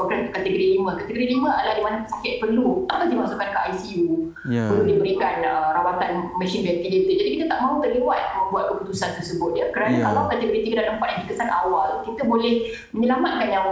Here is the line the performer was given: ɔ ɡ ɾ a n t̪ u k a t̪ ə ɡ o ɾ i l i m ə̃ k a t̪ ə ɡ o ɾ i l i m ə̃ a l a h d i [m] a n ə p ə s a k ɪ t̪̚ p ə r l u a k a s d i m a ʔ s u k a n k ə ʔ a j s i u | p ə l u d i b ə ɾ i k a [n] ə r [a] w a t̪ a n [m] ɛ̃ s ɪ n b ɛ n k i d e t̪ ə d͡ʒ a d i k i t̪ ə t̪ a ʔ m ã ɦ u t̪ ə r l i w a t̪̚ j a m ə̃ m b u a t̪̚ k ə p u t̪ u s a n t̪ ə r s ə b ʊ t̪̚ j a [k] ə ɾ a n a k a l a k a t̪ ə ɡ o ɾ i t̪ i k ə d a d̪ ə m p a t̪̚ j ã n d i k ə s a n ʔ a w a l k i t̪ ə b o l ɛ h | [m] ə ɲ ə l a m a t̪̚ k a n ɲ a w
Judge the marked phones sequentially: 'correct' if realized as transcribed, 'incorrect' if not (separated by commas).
correct, correct, correct, correct, correct, correct